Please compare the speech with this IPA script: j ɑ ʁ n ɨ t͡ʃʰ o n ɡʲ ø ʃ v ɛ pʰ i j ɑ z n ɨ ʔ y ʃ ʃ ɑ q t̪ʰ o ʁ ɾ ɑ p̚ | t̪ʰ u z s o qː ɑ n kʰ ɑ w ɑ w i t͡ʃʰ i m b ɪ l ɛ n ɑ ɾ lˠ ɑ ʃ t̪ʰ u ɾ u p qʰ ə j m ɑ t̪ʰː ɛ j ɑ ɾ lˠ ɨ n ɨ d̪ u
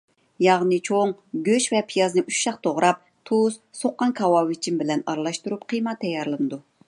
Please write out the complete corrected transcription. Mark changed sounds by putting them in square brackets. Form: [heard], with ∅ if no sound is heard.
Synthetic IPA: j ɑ ʁ n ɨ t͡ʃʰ o [ŋ] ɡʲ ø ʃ v ɛ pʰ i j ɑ z n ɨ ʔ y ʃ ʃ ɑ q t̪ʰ o ʁ ɾ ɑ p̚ | t̪ʰ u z s o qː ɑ n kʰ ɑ w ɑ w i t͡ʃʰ i m b ɪ l ɛ n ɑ ɾ lˠ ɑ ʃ [t̪] u ɾ u p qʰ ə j m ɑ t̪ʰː ɛ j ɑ ɾ lˠ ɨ n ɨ d̪ u